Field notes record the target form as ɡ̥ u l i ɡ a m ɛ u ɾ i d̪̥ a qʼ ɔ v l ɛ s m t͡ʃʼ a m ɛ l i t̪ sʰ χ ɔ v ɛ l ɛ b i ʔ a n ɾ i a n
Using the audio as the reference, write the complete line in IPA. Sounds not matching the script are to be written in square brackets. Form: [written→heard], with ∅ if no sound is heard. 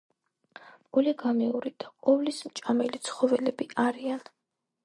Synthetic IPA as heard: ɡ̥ u l i ɡ a m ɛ u ɾ i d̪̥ a qʼ ɔ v l [ɛ→i] s m t͡ʃʼ a m ɛ l i t̪ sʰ χ ɔ v ɛ l ɛ b i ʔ a [n→∅] ɾ i a n